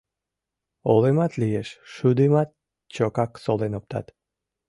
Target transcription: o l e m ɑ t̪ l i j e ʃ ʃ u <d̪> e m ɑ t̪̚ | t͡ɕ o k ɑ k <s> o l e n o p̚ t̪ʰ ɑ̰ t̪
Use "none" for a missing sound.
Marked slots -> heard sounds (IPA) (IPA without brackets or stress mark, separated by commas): d̪, s